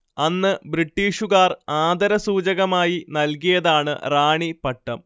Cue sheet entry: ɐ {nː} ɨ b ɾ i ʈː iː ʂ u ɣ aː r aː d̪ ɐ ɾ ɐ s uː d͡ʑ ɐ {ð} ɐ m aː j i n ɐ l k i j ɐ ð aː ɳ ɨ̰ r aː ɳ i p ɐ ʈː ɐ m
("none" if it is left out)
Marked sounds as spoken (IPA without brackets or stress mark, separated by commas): nː, ɣ